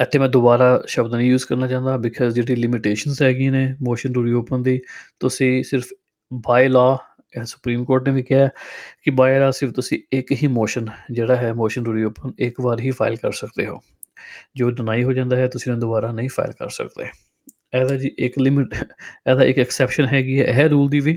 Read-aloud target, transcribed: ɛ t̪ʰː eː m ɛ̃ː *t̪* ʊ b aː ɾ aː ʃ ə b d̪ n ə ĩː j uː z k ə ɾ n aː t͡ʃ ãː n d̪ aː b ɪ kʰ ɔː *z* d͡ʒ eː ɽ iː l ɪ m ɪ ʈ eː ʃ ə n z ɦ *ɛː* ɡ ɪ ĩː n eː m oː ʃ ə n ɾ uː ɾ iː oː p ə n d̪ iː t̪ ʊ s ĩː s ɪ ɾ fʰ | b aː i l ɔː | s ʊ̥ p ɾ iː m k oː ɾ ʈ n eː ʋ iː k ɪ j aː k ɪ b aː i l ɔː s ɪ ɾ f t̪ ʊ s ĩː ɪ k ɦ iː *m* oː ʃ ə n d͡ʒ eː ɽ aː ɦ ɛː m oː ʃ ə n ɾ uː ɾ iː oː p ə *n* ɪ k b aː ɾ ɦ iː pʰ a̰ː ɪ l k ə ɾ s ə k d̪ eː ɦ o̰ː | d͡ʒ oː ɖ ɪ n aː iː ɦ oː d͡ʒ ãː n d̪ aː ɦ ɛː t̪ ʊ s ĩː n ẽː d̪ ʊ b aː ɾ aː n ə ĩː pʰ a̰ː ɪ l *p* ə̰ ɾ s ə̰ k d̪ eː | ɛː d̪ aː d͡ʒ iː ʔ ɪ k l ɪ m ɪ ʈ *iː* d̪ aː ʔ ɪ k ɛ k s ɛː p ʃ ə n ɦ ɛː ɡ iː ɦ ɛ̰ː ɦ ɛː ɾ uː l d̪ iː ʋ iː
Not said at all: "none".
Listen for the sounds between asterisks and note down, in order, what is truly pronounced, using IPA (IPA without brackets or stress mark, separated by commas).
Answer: d̪, z, ɛː, m, n, k, ɛː